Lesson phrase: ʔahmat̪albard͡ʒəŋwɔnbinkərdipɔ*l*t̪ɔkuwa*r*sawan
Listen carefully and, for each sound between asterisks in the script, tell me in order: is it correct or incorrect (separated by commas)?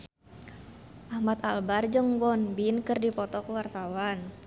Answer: incorrect, correct